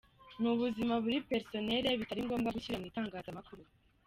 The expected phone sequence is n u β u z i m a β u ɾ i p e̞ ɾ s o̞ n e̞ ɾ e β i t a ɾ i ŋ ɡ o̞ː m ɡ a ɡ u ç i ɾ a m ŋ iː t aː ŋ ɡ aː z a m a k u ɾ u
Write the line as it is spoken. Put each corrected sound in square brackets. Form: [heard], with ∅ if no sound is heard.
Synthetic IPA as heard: n u β u z i m a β u ɾ i p e̞ ɾ s o̞ n e̞ ɾ e β i t a ɾ i ŋ ɡ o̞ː m ɡ a ɡ u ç i ɾ a m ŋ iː t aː ŋ ɡ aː z a m a k u ɾ u